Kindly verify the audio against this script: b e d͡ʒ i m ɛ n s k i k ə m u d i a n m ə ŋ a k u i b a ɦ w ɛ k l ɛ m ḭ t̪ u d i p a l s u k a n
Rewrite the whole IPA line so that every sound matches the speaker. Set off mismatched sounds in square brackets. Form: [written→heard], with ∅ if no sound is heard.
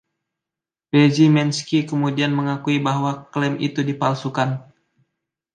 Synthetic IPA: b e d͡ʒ i m ɛ n s k i k ə m u d i a n m ə ŋ a k u i b a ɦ w [ɛ→a] k l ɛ m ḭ t̪ u d i p a l s u k a n